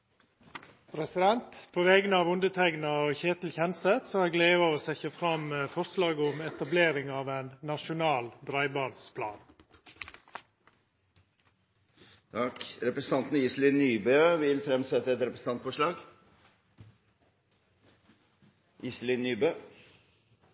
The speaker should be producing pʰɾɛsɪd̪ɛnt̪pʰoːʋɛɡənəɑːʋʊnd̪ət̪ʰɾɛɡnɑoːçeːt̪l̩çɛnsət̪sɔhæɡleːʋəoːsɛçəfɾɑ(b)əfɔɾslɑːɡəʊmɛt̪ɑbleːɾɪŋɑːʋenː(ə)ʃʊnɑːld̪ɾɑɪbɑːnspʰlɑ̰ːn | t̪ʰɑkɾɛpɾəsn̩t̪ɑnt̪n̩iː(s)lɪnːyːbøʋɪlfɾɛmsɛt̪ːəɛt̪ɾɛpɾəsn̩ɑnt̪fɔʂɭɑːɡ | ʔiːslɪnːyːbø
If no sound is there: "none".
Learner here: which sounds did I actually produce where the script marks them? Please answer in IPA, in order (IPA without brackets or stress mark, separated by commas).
m, ɑ, s